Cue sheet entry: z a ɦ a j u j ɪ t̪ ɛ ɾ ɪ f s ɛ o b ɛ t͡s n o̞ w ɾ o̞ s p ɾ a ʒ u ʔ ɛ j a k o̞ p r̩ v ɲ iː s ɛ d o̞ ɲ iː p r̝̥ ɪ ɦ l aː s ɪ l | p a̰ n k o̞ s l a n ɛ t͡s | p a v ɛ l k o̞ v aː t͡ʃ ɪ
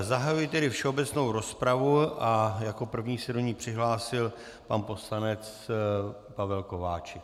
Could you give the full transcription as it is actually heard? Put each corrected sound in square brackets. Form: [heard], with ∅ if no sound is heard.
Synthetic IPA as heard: z a ɦ a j u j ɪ t̪ ɛ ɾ ɪ f [ʃ] ɛ o b ɛ t͡s n o̞ w ɾ o̞ s p ɾ a [v] u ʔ [a] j a k o̞ p r̩ v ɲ iː s ɛ d o̞ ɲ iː p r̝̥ ɪ ɦ l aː s ɪ l | p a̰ n [p] o̞ s l a n ɛ t͡s | p a v ɛ l k o̞ v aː t͡ʃ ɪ